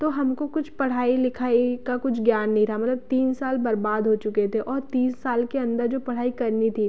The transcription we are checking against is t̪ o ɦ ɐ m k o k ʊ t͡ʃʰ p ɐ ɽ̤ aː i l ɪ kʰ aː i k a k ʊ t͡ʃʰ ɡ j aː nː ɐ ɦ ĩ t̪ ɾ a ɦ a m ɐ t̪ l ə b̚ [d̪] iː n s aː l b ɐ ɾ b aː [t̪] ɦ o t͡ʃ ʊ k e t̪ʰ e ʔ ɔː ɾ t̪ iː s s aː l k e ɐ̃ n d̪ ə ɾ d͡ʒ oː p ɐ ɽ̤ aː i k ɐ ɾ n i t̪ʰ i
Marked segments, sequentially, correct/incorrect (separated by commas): incorrect, incorrect